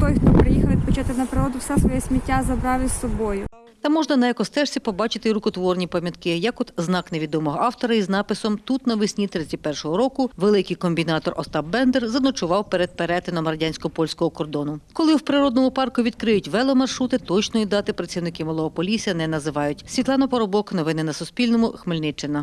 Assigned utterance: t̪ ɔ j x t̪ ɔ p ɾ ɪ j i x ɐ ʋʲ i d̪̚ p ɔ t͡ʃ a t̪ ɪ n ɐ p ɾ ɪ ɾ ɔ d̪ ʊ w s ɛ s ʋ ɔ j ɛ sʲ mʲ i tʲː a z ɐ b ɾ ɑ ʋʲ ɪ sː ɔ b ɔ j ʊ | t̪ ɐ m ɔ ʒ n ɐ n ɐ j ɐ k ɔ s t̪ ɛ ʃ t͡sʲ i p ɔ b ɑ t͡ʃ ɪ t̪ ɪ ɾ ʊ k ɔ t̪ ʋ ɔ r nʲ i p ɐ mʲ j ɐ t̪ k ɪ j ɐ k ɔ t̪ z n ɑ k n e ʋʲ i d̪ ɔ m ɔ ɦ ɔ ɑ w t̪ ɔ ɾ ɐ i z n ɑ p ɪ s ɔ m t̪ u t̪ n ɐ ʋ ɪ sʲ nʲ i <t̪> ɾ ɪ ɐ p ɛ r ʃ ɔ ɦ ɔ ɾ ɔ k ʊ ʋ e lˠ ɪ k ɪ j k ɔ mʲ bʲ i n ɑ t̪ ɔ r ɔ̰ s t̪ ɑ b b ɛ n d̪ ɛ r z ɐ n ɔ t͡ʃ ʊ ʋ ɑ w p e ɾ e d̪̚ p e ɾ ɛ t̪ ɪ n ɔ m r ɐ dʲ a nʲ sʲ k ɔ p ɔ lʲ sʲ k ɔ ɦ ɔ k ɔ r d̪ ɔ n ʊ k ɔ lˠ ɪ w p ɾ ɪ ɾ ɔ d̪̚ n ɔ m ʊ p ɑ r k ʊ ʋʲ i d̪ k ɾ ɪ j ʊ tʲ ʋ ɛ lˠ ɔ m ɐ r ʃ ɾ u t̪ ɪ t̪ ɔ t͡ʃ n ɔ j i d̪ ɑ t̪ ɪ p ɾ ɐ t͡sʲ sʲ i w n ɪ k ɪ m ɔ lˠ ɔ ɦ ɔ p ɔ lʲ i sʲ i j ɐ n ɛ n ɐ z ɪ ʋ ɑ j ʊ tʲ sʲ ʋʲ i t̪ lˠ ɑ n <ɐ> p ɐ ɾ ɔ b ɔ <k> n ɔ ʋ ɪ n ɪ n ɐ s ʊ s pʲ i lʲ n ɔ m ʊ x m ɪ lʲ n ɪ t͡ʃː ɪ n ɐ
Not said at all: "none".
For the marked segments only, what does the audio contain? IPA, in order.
t̪, ɐ, k

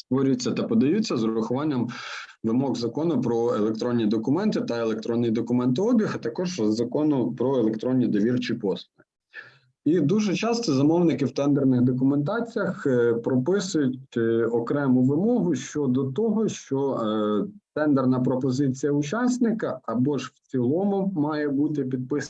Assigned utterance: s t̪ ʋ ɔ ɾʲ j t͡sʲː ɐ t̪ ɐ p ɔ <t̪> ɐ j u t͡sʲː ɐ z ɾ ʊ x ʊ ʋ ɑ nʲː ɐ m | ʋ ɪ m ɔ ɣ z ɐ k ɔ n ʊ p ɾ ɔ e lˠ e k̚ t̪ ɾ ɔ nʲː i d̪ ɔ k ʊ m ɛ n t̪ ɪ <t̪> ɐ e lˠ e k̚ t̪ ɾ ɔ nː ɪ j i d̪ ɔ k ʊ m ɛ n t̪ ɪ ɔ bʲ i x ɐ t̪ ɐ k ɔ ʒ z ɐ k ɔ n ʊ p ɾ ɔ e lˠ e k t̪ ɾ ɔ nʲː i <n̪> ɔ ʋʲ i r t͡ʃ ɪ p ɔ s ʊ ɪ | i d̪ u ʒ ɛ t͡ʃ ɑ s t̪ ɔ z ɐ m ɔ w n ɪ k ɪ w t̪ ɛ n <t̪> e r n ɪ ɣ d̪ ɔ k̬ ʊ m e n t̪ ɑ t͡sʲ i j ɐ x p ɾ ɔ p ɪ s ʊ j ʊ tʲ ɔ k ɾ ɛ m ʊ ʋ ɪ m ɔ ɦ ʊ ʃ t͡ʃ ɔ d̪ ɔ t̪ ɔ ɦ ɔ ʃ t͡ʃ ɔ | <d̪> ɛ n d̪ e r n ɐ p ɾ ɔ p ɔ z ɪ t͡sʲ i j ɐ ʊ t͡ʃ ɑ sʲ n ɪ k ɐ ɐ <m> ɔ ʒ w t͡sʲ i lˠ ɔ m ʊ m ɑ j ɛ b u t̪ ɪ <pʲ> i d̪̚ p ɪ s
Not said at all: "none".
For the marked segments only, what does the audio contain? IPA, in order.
d̪, t̪, d̪, d̪, t̪, b, pʲ

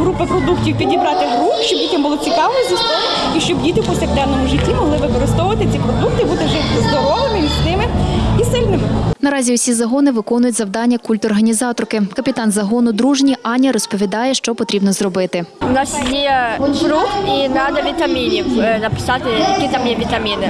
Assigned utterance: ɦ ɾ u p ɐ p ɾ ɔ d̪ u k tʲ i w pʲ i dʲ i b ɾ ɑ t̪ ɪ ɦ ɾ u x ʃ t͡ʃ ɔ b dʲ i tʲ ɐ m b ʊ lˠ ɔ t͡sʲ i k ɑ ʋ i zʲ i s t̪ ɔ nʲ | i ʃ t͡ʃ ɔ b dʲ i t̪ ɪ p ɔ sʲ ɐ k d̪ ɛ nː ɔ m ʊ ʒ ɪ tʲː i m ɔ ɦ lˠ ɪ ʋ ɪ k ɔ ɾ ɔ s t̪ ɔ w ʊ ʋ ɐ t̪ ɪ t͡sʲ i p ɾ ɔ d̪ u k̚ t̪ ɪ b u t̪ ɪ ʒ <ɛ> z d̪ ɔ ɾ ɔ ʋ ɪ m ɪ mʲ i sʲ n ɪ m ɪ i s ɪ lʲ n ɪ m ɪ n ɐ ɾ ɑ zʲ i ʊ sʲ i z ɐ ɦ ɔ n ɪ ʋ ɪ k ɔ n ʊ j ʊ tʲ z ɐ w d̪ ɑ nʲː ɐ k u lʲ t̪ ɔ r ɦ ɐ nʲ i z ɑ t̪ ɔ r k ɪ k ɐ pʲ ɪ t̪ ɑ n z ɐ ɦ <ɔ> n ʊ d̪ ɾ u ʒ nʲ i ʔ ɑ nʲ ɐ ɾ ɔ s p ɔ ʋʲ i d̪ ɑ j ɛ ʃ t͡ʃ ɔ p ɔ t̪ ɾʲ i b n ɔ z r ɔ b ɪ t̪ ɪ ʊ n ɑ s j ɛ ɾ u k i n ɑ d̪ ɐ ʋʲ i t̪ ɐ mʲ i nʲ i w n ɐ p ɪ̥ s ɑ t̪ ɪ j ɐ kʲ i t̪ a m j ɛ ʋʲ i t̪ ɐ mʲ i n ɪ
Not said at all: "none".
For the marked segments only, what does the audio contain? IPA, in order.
ɛ, ɔ

